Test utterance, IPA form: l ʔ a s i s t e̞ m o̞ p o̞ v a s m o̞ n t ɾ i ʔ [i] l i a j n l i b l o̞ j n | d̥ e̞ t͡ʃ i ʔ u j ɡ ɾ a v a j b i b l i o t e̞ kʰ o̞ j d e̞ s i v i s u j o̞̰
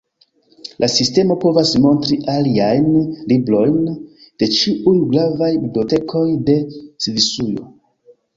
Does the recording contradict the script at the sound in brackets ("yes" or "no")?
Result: yes